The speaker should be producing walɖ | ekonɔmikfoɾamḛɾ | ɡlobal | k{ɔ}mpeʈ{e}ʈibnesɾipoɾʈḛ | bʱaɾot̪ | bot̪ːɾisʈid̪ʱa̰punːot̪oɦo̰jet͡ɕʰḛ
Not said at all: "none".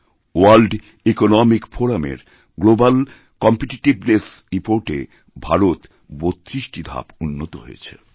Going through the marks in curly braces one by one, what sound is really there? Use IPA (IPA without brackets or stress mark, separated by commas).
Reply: ɔ, i